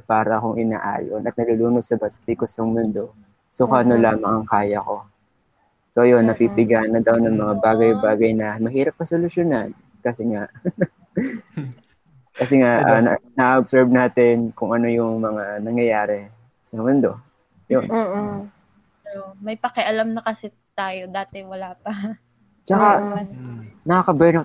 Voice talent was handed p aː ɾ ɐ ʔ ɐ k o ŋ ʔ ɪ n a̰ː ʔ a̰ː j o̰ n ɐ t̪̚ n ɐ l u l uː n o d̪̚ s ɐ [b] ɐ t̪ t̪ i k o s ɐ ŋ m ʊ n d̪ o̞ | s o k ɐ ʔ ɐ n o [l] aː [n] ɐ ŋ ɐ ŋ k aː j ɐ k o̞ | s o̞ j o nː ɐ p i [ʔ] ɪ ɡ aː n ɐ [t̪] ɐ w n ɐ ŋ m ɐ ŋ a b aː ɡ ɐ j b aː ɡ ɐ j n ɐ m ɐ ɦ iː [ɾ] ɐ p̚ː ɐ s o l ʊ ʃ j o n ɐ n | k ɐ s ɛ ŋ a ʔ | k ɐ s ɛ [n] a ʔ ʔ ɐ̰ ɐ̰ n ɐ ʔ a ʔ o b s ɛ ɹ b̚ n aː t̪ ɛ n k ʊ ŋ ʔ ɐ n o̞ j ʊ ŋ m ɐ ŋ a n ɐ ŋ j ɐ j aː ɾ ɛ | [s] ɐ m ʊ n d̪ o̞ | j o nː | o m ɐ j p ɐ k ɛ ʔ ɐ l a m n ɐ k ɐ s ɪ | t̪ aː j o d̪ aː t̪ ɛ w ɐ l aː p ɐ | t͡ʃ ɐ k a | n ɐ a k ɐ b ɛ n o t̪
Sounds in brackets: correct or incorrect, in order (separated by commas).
correct, correct, incorrect, incorrect, incorrect, correct, incorrect, correct